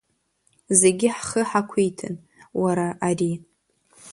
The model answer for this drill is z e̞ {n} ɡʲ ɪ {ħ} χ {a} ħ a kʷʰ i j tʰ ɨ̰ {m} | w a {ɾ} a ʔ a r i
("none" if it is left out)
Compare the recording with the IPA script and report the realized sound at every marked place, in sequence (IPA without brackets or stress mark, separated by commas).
none, ħ, ə, n, ɾ